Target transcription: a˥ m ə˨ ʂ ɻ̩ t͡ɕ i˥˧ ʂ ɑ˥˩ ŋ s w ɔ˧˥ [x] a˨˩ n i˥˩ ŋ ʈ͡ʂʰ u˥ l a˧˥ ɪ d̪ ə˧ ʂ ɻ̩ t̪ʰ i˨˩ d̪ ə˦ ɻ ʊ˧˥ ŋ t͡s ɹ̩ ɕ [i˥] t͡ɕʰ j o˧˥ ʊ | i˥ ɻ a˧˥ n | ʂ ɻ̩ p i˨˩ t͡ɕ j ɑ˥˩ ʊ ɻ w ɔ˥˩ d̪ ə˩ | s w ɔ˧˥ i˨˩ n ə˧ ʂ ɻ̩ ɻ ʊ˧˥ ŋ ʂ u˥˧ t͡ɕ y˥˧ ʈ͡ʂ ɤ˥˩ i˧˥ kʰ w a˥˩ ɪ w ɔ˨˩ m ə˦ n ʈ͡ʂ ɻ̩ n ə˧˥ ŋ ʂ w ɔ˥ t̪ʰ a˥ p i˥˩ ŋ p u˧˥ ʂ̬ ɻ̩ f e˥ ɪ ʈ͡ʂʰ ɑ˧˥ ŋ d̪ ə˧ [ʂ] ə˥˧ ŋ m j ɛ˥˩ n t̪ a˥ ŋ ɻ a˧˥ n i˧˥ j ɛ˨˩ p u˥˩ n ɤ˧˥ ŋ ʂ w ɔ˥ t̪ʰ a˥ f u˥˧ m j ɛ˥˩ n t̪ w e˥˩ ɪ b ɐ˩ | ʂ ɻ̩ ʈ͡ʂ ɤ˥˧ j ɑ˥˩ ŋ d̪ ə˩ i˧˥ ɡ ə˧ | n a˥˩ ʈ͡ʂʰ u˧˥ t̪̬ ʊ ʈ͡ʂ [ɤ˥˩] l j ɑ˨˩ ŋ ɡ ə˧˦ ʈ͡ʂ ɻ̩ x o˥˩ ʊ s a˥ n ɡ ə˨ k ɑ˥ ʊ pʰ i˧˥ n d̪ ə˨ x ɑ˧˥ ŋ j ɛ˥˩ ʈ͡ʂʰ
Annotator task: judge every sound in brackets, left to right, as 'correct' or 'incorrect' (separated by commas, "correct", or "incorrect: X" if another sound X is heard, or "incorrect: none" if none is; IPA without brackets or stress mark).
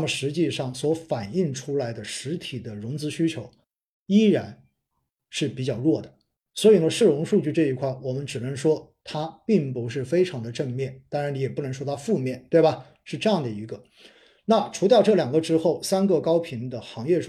incorrect: f, incorrect: y˥, incorrect: ʈ͡ʂ, correct